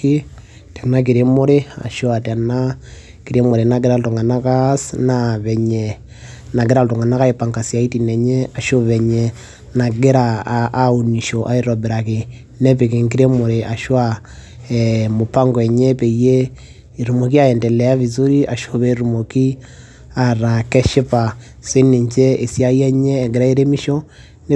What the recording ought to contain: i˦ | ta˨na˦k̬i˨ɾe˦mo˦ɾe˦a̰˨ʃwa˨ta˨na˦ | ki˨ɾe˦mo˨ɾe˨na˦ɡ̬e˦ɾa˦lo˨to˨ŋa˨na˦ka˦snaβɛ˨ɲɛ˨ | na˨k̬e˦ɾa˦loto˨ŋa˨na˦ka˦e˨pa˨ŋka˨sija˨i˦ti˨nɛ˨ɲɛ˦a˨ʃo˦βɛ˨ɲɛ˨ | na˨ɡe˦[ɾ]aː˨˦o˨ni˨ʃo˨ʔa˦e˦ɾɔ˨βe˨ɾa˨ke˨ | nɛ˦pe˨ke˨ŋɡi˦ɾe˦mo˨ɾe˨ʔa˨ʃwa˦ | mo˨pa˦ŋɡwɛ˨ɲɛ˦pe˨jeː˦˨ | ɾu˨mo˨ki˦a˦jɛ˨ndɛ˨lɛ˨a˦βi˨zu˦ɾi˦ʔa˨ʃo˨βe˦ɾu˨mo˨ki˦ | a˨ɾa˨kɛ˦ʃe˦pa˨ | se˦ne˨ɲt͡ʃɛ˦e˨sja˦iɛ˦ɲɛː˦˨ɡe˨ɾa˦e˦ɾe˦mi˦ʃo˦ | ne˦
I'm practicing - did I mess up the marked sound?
no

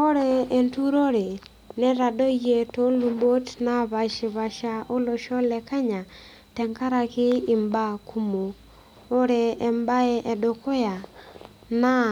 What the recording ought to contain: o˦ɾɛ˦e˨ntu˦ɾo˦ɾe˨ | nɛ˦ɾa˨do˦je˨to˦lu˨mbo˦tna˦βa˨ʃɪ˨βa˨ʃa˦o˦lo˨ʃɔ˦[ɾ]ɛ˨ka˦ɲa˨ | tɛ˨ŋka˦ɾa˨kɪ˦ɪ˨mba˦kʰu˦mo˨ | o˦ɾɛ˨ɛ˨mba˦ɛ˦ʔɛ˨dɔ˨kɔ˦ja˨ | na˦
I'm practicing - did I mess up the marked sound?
yes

